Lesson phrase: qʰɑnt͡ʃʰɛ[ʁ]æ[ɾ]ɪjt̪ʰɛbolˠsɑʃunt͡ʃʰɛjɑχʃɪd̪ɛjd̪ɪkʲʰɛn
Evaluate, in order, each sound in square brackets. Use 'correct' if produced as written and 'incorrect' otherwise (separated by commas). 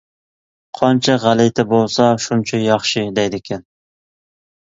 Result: correct, incorrect